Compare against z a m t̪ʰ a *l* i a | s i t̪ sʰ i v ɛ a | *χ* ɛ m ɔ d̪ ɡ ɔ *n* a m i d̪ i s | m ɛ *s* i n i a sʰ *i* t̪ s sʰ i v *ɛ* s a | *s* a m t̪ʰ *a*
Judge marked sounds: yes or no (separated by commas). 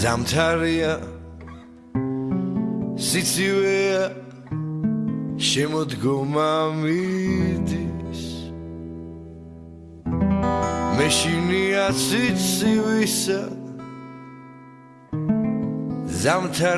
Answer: no, no, no, no, yes, no, no, yes